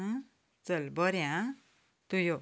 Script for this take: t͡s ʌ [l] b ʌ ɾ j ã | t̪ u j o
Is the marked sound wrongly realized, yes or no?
no